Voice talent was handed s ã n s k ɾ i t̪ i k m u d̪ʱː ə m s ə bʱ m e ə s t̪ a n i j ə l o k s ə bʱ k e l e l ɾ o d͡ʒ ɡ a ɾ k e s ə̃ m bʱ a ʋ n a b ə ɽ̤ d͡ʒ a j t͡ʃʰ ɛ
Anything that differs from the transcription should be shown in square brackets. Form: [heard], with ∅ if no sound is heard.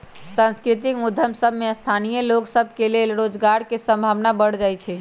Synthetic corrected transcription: s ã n s k ɾ i t̪ i k m u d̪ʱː ə m s ə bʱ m e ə s [t̪ʰ] a n i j ə l o k s ə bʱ k e l e l ɾ o d͡ʒ ɡ a ɾ k e s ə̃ m bʱ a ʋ n a b ə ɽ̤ d͡ʒ a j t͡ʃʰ ɛ